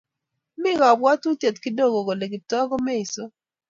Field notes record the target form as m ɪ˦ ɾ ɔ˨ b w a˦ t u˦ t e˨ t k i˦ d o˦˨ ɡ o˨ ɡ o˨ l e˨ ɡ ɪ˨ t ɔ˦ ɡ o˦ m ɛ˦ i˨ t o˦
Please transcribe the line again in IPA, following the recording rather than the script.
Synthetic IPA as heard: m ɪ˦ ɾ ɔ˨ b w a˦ t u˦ t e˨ t k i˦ d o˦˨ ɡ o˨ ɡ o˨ l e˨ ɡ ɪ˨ t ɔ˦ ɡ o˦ m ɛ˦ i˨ s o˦